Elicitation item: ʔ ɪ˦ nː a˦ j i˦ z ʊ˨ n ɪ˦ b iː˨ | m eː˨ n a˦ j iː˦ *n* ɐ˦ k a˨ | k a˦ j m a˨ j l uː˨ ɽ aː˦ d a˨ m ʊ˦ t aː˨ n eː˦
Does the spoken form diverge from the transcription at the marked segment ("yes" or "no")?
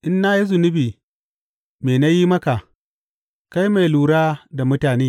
yes